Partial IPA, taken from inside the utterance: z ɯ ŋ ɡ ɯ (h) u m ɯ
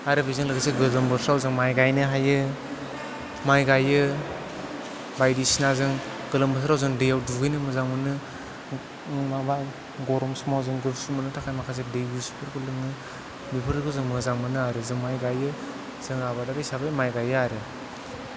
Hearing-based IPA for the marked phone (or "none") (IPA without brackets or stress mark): s